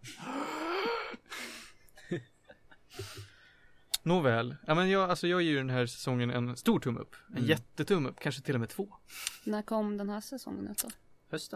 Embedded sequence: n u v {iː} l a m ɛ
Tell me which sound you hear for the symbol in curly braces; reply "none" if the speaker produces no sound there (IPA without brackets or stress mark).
ɛː